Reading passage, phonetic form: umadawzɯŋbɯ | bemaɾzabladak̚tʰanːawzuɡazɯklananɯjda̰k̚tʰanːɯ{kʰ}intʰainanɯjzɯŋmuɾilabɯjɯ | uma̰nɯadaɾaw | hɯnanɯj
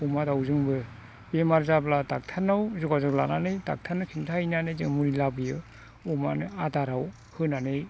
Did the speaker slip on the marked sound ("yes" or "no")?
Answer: no